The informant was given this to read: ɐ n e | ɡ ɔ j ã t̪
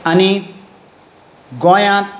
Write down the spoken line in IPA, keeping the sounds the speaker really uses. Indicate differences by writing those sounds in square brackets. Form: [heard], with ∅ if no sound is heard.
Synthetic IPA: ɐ n [i] | ɡ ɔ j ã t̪